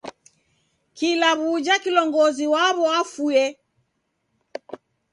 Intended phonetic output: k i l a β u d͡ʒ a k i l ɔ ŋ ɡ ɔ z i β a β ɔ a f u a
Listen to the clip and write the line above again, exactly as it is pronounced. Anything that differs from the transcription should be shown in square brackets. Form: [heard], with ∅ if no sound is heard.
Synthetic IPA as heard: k i l a β u d͡ʒ a k i l ɔ ŋ ɡ ɔ z i [w] a β ɔ a f u [ɛ]